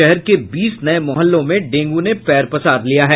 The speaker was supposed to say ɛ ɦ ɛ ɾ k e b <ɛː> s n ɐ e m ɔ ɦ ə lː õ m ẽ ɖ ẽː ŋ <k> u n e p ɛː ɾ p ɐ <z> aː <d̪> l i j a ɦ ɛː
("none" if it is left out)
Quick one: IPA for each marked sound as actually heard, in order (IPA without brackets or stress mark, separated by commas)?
iː, ɡ, s, d̪